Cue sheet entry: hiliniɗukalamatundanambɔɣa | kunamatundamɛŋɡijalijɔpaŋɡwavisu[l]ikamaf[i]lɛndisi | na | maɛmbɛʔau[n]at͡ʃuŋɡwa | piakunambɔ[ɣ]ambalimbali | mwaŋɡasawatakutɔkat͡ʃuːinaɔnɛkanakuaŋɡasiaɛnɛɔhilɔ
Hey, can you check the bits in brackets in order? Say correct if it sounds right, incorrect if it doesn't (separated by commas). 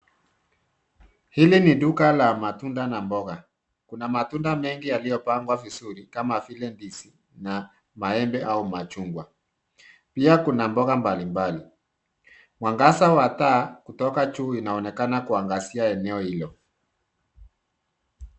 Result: incorrect, correct, incorrect, correct